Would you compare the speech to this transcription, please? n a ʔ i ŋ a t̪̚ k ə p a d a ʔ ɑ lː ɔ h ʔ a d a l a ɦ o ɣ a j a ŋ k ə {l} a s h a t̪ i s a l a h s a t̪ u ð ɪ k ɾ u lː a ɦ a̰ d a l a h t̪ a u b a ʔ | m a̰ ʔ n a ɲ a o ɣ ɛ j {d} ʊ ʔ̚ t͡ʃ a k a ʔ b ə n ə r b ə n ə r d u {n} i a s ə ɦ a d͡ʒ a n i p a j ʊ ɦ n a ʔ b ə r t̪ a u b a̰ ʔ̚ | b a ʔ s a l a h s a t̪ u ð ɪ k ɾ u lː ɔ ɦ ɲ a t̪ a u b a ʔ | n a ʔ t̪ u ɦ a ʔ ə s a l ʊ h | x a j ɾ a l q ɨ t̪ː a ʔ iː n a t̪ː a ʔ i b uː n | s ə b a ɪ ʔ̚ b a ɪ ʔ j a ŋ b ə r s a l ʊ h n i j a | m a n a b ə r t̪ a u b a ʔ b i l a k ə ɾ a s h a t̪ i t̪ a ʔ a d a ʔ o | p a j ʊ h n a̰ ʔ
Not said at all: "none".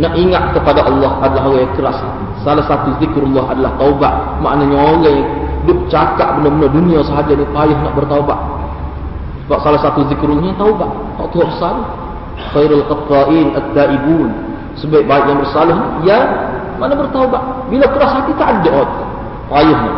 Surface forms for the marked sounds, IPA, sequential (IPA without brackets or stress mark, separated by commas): ɾ, d, n